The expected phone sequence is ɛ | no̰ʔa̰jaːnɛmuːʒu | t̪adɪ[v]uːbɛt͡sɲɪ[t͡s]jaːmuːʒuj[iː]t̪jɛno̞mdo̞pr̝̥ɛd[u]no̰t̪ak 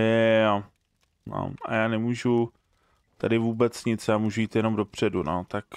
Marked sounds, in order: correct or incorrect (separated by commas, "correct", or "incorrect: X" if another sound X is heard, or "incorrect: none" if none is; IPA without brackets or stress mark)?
correct, correct, correct, correct